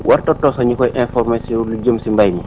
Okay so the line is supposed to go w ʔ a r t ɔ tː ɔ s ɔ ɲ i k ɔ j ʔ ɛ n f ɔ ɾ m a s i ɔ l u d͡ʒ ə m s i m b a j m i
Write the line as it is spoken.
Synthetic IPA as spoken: w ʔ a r t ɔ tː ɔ s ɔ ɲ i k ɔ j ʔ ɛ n f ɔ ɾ m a s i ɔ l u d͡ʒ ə m s i m b a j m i